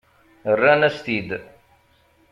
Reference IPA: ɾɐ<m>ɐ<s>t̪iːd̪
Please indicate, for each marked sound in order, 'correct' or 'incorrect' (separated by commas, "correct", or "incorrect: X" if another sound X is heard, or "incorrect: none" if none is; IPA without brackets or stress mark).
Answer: incorrect: n, correct